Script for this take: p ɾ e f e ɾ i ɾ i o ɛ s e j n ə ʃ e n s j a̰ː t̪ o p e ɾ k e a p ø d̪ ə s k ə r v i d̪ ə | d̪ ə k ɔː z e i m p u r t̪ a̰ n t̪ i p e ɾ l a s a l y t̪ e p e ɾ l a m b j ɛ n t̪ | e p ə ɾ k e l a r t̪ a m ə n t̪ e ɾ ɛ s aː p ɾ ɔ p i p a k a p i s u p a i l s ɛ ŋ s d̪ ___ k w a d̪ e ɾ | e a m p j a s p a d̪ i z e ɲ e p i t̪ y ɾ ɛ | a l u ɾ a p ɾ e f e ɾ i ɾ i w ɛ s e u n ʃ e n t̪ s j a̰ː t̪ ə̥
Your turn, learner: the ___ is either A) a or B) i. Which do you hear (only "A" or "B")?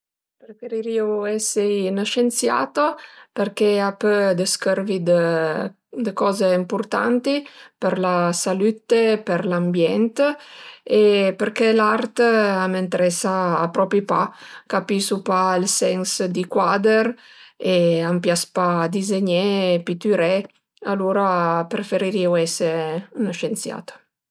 B